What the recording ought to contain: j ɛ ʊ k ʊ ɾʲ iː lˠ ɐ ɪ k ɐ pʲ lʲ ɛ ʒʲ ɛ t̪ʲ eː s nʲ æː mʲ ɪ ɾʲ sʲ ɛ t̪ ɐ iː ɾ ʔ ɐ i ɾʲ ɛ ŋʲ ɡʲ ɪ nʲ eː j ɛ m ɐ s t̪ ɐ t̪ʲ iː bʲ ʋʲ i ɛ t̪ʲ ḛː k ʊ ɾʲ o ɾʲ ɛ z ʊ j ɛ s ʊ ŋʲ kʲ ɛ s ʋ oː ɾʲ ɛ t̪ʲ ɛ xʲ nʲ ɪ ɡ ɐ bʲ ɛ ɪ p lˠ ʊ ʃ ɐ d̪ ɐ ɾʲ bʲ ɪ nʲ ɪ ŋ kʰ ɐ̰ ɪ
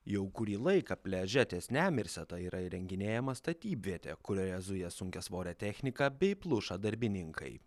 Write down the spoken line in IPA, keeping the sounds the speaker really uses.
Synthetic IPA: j ɛ ʊ k ʊ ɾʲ iː lˠ ɐ ɪ k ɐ pʲ lʲ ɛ ʒʲ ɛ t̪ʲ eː s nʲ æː mʲ ɪ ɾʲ sʲ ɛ t̪ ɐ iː ɾ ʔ ɐ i ɾʲ ɛ ŋʲ ɡʲ ɪ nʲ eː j ɛ m ɐ s t̪ ɐ t̪ʲ iː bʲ ʋʲ i ɛ t̪ʲ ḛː k ʊ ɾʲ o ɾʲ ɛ z ʊ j ɛ s ʊ ŋʲ kʲ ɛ s ʋ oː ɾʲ ɛ t̪ʲ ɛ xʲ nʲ ɪ k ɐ bʲ ɛ ɪ p lˠ ʊ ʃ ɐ d̪ ɐ ɾʲ bʲ ɪ nʲ ɪ ŋ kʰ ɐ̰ ɪ